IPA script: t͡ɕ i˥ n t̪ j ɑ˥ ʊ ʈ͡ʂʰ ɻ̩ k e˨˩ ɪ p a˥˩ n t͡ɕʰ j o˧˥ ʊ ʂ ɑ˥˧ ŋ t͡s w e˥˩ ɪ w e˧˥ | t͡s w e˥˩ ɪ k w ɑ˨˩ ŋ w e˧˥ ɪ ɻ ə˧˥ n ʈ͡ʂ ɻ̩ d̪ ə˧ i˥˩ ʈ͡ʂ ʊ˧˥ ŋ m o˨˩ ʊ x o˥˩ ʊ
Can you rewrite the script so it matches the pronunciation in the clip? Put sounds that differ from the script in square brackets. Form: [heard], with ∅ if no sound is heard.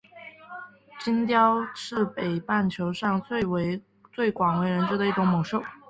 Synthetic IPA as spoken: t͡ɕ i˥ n t̪ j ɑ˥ ʊ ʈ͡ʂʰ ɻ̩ [p] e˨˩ ɪ p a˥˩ n t͡ɕʰ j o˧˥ ʊ ʂ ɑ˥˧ ŋ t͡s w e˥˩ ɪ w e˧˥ | t͡s w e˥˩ ɪ k w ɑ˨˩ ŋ w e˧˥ ɪ ɻ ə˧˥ n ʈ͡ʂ ɻ̩ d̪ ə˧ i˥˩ ʈ͡ʂ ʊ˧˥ ŋ m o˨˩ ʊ [ʂ] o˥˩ ʊ